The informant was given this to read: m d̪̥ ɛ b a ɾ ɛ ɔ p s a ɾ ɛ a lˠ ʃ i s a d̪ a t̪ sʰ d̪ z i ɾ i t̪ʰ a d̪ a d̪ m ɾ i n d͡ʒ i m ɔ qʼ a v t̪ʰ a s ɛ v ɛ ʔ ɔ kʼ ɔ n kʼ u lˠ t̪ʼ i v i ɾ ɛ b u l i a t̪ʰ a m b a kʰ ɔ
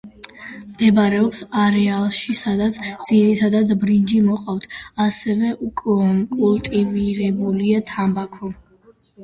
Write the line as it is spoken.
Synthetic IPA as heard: m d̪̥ ɛ b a ɾ ɛ ɔ p s a ɾ ɛ a lˠ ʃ i s a d̪ a t̪ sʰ d̪ z i ɾ i t̪ʰ a d̪ a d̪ b ɾ i n d͡ʒ i m ɔ qʼ a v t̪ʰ a s ɛ v ɛ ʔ u kʼ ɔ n kʼ u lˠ t̪ʼ i v i ɾ ɛ b u l i a t̪ʰ a m b a kʰ ɔ